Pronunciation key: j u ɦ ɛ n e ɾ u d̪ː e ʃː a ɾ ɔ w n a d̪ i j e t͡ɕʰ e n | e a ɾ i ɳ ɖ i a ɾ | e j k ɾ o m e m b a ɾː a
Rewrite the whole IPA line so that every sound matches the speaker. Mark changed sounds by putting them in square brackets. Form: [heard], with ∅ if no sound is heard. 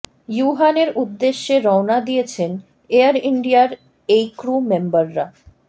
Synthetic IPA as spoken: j u ɦ [a] n e ɾ u d̪ː e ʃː [e] ɾ ɔ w n a d̪ i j e t͡ɕʰ e n | e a ɾ i ɳ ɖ i a ɾ | e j k ɾ [u] m e m b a ɾː a